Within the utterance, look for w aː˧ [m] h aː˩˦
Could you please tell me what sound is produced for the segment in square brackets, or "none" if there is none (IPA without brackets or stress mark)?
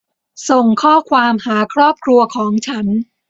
m